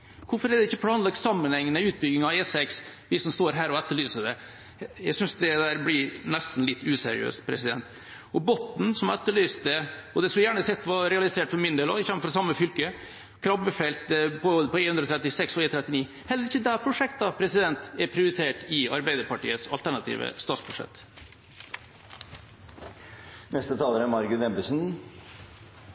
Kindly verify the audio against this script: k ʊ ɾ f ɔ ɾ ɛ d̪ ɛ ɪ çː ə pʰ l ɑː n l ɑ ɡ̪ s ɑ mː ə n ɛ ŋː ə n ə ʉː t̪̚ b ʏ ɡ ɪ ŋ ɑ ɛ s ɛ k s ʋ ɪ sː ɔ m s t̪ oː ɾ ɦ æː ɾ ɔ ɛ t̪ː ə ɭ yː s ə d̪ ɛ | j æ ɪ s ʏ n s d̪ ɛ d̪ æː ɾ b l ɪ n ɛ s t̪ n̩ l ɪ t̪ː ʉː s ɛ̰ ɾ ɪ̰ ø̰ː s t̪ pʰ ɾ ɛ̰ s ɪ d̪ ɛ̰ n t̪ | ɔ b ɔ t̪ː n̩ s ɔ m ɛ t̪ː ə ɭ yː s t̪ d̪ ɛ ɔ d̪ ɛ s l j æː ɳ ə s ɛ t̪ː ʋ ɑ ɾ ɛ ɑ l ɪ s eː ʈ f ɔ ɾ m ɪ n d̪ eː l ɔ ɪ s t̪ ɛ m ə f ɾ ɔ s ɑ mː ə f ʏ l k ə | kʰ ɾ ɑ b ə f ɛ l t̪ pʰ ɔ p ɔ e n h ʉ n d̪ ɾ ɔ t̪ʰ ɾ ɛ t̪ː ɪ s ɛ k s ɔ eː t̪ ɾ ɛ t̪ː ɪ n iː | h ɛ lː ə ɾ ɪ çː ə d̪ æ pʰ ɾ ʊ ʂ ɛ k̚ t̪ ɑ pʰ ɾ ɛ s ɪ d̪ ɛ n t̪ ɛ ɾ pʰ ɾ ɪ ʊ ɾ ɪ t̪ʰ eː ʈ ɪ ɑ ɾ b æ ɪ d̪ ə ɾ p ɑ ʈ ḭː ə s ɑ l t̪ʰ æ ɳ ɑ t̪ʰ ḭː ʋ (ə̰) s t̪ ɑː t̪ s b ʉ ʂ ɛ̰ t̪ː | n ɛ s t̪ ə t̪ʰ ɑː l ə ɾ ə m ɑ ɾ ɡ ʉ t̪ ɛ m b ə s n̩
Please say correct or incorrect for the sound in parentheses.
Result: correct